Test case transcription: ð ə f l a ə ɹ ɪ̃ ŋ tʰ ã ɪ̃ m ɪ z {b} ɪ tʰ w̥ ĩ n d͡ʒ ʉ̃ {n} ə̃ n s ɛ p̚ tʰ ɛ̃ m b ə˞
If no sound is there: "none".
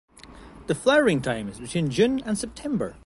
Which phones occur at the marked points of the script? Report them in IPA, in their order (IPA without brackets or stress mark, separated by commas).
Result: b, n